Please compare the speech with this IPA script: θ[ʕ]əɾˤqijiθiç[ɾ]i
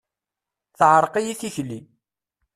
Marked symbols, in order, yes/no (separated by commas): yes, no